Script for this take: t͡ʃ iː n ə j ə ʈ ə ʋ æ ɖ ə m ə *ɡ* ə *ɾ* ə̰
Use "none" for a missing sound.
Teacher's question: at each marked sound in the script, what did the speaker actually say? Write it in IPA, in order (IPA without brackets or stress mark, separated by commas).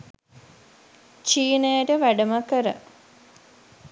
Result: k, ɾ